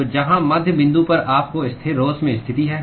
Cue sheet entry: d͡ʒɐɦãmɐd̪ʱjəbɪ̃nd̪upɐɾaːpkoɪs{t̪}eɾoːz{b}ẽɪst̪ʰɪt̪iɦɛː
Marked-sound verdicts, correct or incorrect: incorrect: t̪ʰ, incorrect: m

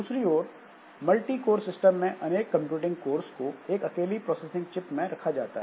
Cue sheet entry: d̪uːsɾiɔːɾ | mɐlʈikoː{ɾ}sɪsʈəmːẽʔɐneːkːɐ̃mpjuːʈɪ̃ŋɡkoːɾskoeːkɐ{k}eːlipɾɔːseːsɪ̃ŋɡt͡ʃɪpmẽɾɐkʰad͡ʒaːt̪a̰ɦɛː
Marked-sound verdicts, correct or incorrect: correct, correct

